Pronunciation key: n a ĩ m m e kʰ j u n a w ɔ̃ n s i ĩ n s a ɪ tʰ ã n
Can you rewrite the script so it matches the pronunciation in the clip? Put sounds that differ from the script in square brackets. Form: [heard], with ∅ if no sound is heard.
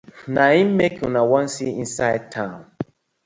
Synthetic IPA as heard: n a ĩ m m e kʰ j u n a w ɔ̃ n s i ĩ n s a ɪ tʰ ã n